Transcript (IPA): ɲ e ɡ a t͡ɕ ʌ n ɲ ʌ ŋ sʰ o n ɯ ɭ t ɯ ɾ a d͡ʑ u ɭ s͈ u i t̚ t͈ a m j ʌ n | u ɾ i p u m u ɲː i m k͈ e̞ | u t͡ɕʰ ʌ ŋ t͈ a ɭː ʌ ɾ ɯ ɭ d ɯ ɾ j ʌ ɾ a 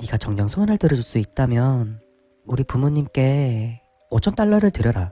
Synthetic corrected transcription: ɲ i ɡ a t͡ɕ ʌ ŋ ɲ ʌ ŋ sʰ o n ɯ ɭ t ɯ ɾ ʌ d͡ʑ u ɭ s͈ u i t̚ t͈ a m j ʌ n | u ɾ i p u m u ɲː i m k͈ e̞ | o t͡ɕʰ ʌ n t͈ a ɭː ʌ ɾ ɯ ɭ t ɯ ɾ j ʌ ɾ a